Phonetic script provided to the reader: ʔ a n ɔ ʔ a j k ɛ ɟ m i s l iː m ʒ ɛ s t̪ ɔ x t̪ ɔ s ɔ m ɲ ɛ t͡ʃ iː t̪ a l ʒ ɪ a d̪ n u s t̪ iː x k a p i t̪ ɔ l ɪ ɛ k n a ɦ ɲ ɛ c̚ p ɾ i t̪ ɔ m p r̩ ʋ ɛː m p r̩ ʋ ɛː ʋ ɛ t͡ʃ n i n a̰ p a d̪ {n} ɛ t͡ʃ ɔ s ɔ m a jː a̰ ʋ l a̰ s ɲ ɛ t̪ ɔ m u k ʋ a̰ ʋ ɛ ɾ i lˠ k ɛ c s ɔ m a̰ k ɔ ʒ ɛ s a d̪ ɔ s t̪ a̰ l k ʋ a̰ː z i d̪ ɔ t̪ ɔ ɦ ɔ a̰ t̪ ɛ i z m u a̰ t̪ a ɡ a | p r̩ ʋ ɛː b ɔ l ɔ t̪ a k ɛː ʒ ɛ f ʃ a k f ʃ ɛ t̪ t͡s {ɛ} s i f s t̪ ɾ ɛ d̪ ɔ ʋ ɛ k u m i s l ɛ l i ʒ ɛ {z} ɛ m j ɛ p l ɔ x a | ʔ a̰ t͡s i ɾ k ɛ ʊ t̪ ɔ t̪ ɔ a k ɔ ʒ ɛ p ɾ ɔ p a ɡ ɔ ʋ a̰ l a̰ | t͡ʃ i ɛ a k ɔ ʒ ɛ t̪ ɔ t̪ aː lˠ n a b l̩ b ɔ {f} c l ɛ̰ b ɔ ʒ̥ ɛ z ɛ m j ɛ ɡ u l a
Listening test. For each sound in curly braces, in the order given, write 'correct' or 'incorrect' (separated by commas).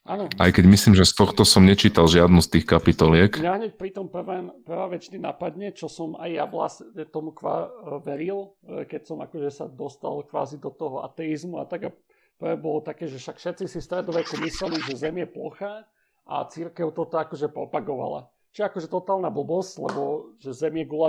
incorrect, incorrect, correct, incorrect